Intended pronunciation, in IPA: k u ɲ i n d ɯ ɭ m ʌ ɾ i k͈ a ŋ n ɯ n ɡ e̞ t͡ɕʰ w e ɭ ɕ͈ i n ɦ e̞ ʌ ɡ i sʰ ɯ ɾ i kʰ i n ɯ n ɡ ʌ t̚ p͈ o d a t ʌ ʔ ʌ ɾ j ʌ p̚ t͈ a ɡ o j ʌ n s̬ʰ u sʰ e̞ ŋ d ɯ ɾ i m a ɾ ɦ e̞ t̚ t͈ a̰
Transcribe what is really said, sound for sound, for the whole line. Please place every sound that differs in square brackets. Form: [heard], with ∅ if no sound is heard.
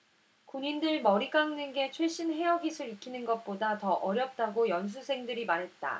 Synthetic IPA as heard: k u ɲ i n d ɯ ɭ m ʌ ɾ i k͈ a ŋ n ɯ n ɡ e̞ t͡ɕʰ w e ɭ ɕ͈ i n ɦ e̞ ʌ ɡ i sʰ ɯ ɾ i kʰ i n ɯ n ɡ ʌ t̚ p͈ o d a t ʌ ʔ ʌ ɾ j ʌ p̚ t͈ a ɡ o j ʌ n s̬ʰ u sʰ e̞ ŋ d ɯ ɾ i m a ɾ ɦ e̞ t̚ t͈ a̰